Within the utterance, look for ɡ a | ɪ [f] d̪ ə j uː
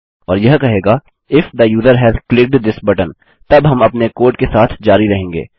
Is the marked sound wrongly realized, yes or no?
no